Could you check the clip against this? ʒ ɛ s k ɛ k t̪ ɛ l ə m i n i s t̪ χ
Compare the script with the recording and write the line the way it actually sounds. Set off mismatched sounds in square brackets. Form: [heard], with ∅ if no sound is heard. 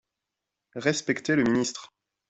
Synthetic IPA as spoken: [ʁ] ɛ s [p] ɛ k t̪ [e] l ə m i n i s t̪ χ